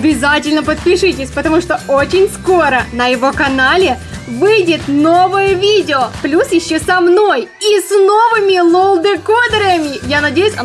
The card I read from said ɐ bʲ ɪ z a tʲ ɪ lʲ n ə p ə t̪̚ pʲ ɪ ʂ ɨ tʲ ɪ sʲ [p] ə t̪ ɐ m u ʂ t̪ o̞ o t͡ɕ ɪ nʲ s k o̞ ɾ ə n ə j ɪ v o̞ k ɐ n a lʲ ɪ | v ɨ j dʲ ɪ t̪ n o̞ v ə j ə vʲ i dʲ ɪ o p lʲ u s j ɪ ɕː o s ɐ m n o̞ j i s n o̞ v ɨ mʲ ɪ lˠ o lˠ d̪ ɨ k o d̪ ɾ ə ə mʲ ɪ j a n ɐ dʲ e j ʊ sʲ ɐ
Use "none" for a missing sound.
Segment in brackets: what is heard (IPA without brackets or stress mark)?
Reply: p